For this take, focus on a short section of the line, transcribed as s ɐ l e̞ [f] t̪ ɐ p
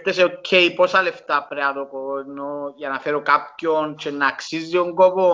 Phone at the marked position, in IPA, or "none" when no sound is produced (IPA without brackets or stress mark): f